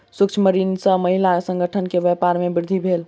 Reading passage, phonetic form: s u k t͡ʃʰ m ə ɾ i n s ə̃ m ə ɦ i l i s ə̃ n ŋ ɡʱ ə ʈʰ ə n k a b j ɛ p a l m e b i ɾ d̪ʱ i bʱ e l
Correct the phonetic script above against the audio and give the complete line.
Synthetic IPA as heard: s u k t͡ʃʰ m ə ɾ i n s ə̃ m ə ɦ i l a s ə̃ ŋ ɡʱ ə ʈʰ ə n k e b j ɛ p a ɾ m e b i ɾ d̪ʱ i bʱ e l